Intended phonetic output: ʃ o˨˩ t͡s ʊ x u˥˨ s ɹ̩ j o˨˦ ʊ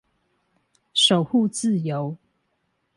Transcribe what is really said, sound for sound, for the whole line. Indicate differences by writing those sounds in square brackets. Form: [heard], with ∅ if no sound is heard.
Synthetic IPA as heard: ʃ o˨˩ [∅] ʊ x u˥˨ [t͡s] ɹ̩ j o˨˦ ʊ